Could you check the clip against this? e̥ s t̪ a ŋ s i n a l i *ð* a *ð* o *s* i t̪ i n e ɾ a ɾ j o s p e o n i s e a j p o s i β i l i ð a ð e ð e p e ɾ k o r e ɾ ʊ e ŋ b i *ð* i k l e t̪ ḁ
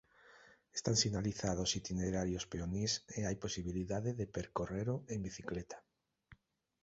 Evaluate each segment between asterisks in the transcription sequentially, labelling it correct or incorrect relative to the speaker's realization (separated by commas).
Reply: incorrect, correct, correct, incorrect